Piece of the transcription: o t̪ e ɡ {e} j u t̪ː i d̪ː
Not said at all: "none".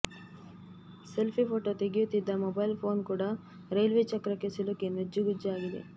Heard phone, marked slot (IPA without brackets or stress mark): i